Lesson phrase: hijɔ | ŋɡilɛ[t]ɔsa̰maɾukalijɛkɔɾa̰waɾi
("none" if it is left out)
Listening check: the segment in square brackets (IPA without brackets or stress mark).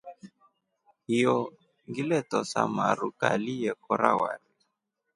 t